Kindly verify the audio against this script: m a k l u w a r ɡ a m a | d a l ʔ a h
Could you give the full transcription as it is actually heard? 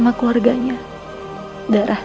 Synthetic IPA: m a k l u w a r ɡ a ɲ a | d a ɾ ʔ a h